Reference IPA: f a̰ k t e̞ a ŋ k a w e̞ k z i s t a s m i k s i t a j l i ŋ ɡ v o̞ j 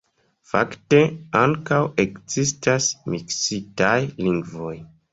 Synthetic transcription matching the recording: f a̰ k t e̞ a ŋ k a w e̞ k z i s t a s m i k s i t a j l i ŋ ɡ v o̞ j